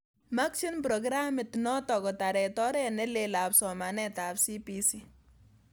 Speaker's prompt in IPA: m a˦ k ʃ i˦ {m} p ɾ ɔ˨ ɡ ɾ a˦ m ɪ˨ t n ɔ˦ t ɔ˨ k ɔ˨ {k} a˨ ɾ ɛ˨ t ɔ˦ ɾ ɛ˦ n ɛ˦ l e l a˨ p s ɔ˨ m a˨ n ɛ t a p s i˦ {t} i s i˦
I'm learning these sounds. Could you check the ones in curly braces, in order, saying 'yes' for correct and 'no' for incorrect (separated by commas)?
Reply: no, no, no